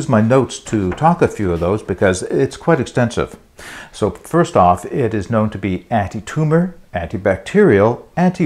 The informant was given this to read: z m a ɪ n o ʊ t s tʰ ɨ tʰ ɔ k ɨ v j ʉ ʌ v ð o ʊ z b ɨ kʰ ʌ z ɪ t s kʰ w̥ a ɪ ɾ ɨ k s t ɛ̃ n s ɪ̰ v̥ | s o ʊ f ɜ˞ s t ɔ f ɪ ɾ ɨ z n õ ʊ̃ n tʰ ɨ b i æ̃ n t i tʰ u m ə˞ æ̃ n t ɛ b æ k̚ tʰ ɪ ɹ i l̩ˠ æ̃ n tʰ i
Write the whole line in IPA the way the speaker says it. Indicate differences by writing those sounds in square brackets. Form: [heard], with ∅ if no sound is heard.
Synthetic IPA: z m a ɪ n o ʊ t s tʰ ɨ tʰ ɔ k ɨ [f] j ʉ ʌ v ð o ʊ z b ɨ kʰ ʌ z ɪ t s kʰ w̥ a ɪ ɾ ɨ k s t ɛ̃ n s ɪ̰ v̥ | s o ʊ f ɜ˞ s t ɔ f ɪ ɾ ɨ z n õ ʊ̃ n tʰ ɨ b i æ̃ n t i tʰ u m ə˞ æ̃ n t [i] b æ k̚ tʰ ɪ ɹ i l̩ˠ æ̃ n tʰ i